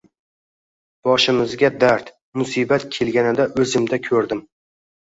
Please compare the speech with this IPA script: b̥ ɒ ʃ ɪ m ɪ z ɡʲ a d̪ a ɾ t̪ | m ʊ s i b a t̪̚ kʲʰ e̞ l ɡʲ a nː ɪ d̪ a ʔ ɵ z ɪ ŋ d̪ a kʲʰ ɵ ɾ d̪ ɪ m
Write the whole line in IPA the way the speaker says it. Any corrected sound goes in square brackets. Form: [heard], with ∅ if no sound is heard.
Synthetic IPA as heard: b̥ ɒ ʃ ɪ m ɪ z ɡʲ a d̪ a ɾ t̪ | m ʊ s i b a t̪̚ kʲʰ e̞ l ɡʲ a [n] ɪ d̪ a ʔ ɵ z ɪ [m] d̪ a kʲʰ ɵ ɾ d̪ ɪ m